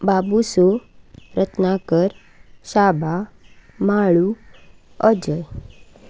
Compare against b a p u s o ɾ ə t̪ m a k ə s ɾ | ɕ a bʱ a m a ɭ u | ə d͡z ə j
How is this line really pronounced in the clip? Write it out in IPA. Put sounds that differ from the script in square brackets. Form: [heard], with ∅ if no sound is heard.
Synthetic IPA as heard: b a [b] u s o ɾ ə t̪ [n] a k ə [∅] ɾ | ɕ a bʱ a m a ɭ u | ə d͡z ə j